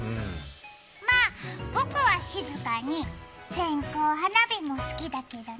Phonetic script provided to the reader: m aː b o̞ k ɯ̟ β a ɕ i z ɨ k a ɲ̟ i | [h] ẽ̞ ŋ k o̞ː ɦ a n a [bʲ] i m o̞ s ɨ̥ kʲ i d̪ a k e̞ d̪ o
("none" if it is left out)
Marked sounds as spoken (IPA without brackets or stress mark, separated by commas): s, bʲ